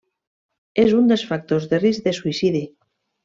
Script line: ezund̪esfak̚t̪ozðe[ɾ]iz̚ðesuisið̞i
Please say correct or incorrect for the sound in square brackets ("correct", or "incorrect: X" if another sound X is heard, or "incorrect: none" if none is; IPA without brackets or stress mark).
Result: incorrect: r